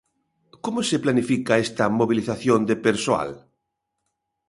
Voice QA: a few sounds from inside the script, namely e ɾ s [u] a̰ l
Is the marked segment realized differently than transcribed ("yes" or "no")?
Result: yes